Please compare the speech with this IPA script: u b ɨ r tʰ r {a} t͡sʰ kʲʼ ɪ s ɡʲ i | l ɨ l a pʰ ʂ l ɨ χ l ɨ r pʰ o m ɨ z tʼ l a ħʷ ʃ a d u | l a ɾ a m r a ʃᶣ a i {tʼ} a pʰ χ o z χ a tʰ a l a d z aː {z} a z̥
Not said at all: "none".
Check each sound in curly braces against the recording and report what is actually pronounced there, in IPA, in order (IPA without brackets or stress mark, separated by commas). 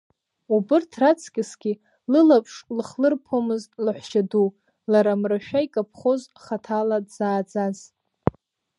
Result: a, kʼ, d͡z